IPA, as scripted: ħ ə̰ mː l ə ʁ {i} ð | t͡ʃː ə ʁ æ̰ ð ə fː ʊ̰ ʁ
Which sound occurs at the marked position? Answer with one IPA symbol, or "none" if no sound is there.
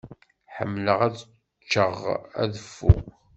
æ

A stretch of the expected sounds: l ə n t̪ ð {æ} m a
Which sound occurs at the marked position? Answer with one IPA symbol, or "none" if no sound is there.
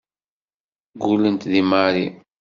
i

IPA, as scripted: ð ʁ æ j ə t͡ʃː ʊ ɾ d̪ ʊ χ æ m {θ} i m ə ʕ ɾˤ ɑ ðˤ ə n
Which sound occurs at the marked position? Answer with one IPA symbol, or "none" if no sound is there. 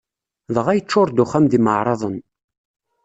ð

